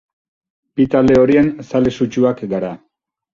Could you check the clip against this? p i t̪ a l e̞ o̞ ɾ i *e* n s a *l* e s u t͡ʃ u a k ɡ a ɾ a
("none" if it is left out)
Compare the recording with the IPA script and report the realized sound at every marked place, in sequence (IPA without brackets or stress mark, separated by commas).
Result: e, l